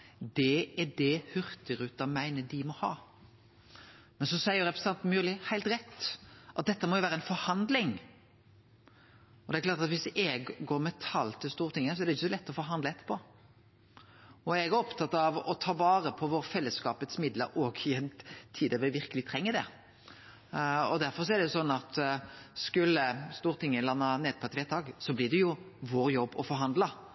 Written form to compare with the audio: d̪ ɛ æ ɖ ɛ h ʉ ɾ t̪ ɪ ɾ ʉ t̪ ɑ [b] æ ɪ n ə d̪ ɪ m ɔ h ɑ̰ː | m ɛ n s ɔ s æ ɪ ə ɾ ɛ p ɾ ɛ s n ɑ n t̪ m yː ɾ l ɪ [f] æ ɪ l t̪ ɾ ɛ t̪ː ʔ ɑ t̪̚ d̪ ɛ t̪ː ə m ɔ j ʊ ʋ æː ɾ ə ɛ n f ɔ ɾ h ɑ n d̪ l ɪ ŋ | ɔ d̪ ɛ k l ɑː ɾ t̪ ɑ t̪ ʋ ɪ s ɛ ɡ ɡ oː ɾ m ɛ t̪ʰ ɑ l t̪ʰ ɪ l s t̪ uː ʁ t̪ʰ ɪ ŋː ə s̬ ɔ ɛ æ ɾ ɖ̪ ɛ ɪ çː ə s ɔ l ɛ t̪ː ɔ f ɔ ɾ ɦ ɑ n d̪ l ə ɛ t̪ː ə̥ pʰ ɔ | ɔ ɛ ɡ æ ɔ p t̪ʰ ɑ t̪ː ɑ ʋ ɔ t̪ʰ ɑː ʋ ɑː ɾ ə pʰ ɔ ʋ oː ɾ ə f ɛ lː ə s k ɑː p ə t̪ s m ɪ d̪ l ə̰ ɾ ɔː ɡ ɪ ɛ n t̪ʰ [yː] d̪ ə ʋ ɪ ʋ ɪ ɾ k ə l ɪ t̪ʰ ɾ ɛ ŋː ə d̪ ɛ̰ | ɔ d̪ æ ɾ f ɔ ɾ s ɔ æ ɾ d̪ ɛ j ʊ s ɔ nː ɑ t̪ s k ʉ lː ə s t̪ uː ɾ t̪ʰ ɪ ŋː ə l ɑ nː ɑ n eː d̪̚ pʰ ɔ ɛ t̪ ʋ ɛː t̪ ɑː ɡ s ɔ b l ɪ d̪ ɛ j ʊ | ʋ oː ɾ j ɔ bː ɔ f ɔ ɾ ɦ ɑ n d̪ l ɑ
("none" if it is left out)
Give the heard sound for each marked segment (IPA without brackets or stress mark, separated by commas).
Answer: m, h, iː